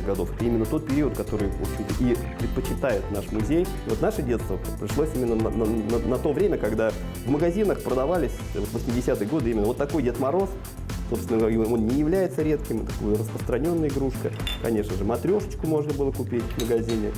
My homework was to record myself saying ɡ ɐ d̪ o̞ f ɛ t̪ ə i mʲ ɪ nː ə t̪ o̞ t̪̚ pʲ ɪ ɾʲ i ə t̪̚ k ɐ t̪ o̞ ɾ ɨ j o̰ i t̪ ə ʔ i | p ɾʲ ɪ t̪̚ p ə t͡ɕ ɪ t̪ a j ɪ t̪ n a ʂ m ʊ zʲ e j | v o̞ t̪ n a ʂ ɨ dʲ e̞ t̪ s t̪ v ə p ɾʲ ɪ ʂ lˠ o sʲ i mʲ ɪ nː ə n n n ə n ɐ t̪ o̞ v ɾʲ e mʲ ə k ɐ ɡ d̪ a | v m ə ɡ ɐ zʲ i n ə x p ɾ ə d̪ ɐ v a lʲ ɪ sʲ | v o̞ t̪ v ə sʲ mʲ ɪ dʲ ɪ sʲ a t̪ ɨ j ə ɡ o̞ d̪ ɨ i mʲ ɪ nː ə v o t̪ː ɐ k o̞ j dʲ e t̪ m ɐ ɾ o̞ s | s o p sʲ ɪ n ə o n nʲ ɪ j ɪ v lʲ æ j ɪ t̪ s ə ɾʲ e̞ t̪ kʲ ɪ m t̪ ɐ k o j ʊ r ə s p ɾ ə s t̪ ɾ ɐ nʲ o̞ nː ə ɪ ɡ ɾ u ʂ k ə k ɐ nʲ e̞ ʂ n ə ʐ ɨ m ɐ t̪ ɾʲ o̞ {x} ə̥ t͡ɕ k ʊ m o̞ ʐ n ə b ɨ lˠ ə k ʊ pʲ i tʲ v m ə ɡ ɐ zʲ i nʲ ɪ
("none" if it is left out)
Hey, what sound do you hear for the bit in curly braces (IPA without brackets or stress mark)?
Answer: ʂ